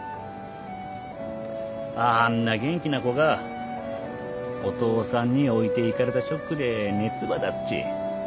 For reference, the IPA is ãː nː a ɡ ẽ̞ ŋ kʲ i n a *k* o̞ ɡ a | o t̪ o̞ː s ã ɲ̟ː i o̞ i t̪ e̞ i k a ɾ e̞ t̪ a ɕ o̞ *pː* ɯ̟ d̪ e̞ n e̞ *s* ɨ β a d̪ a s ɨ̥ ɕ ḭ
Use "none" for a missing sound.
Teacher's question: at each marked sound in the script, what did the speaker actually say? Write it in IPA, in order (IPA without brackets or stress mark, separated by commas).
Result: k, kː, t͡s